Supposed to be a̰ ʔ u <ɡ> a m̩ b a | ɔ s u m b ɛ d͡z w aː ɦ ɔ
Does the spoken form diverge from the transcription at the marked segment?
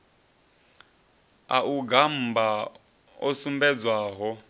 no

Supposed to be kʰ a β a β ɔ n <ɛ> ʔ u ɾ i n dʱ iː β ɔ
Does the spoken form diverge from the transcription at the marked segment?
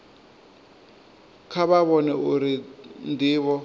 no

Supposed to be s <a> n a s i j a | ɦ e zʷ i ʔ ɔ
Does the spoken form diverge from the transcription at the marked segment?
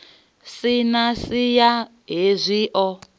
yes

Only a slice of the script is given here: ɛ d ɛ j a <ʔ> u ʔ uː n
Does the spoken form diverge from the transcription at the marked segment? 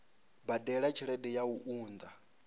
yes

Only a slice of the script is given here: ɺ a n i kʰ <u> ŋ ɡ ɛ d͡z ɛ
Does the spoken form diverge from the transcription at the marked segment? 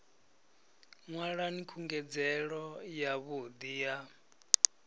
no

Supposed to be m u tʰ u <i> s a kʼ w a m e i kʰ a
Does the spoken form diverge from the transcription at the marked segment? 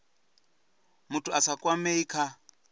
yes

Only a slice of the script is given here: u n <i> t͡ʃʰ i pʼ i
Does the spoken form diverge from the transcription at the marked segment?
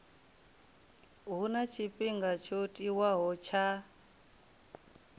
yes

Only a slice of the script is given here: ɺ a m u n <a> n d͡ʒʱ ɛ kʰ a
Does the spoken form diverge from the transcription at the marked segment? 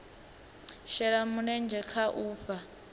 yes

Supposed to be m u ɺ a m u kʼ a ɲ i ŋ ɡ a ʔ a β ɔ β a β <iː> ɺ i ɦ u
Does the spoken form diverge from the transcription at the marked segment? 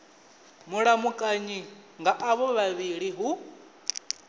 yes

